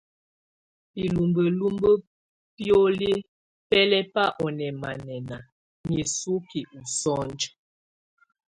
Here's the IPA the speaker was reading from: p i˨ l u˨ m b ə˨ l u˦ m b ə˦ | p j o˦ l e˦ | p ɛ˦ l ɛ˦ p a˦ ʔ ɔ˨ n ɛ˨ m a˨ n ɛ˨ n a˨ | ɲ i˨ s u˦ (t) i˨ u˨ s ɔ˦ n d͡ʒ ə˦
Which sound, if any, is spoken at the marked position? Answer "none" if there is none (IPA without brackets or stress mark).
k